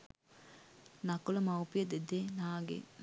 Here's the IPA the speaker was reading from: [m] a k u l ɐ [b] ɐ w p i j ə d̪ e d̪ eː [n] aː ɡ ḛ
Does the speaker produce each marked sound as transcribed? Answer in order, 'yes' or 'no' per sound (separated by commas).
no, no, yes